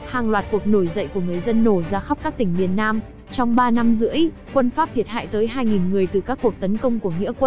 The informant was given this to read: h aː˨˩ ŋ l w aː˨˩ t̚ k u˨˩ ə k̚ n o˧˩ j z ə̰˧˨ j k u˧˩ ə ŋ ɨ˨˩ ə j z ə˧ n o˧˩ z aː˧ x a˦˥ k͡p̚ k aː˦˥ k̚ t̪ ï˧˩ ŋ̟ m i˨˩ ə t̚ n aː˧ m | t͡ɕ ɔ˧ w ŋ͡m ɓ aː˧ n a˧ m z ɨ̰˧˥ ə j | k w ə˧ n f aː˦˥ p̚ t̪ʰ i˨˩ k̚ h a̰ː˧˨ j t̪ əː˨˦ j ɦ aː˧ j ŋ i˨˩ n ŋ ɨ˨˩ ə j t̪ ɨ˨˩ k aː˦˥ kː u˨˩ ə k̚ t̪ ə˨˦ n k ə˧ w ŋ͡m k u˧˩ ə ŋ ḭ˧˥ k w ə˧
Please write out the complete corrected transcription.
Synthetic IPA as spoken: h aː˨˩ ŋ l w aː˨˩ t̚ k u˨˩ ə k̚ n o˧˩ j z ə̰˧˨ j k u˧˩ ə ŋ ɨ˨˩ ə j z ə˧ nː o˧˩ z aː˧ x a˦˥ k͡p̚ k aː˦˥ k̚ t̪ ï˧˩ ŋ̟ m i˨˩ ə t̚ n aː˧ m | t͡ɕ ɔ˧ w ŋ͡m ɓ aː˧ n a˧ m z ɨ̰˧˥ ə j | k w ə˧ n f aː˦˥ p̚ t̪ʰ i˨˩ t̚ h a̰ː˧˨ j t̪ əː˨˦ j ɦ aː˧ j ŋ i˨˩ n ŋ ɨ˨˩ ə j t̪ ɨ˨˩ k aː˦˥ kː u˨˩ ə k̚ t̪ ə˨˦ n k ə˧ w ŋ͡m k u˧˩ ə ŋ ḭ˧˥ k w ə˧